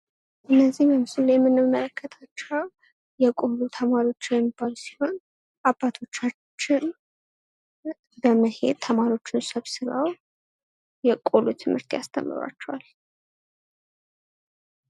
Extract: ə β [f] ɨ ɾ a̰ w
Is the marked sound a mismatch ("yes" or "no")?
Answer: yes